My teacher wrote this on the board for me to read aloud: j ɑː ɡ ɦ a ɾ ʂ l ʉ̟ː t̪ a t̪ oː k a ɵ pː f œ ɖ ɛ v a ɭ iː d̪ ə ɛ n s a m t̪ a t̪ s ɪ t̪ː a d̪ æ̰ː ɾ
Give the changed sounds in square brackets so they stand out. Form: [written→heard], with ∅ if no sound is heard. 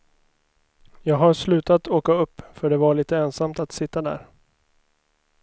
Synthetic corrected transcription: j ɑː ɡ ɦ a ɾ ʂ l ʉ̟ː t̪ a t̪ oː k a ɵ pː f œ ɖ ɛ v a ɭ iː [d̪→t̪] ə ɛ n s a m t̪ a t̪ s ɪ t̪ː a d̪ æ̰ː ɾ